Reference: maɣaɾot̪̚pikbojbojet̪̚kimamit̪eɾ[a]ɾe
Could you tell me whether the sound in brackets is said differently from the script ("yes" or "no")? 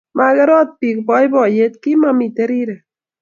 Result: yes